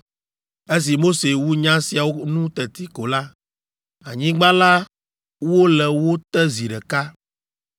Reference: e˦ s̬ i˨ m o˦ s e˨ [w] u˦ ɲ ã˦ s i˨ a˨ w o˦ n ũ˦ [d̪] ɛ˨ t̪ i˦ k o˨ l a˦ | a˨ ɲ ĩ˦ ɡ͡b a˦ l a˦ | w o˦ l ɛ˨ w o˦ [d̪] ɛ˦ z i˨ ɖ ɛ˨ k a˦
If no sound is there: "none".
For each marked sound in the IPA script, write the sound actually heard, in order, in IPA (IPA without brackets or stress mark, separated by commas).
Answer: w, t̪, t̪